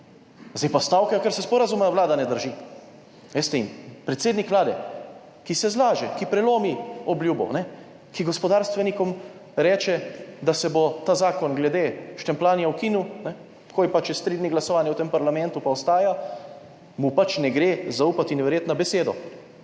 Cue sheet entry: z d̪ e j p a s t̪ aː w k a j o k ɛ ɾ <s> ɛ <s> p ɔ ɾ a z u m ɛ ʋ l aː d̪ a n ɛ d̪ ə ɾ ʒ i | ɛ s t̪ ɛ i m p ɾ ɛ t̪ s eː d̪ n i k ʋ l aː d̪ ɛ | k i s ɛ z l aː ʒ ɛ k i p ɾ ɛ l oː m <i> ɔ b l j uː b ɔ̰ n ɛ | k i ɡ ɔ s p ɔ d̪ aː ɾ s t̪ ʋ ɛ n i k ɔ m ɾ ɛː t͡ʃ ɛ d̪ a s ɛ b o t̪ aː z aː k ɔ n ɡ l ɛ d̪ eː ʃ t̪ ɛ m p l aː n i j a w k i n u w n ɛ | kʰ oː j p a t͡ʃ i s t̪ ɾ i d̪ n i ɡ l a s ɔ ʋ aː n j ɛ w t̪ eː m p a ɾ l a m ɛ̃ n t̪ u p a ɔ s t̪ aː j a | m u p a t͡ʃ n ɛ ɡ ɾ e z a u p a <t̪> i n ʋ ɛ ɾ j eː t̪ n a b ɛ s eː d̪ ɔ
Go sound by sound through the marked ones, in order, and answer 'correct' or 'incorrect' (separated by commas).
correct, correct, correct, correct